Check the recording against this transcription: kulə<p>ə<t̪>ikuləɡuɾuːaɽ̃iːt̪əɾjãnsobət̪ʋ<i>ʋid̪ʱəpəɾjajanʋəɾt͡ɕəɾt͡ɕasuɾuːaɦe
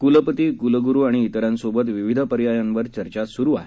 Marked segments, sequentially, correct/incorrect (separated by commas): correct, correct, correct